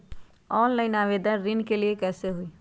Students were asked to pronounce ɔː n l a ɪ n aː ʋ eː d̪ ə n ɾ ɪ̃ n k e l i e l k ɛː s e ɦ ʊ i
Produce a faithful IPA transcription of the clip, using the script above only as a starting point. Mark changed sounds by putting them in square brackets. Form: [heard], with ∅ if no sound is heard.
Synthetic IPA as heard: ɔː n l a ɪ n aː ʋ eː d̪ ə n ɾ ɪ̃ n k e l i e [∅] k ɛː s e ɦ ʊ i